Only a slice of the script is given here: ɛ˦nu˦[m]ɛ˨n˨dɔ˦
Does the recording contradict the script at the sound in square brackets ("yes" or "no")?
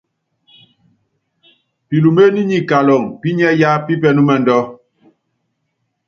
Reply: no